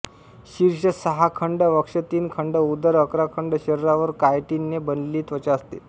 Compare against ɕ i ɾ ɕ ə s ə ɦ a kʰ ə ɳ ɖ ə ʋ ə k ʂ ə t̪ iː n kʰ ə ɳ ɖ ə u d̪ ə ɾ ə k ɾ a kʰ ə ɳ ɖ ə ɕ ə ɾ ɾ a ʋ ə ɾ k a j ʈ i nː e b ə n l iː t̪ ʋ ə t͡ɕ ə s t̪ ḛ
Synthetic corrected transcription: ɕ i ɾ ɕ ə s ə ɦ a kʰ ə ɳ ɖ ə ʋ ə k ʂ ə t̪ iː n kʰ ə ɳ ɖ ə u d̪ ə ɾ ə k ɾ a kʰ ə ɳ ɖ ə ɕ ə ɾ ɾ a ʋ ə ɾ k a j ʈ i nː e b ə n l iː t̪ ʋ ə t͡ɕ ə s t̪ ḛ